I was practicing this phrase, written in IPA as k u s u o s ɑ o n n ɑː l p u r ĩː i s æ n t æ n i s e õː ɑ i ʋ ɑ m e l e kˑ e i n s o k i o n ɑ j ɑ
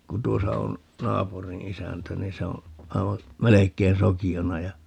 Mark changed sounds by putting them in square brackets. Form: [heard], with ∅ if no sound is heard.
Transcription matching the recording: k u [t] u o s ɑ o n n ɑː [∅] p u r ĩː i s æ n t æ n i s e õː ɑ i ʋ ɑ m e l e kˑ e i n s o k i o n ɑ j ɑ